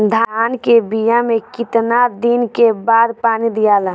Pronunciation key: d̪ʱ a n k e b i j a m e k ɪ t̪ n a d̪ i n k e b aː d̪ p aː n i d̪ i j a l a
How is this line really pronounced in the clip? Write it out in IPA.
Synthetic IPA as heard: d̪ʱ a n k e b i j a m e k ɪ t̪ n a d̪ i n k e b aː d̪ p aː n i d̪ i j a l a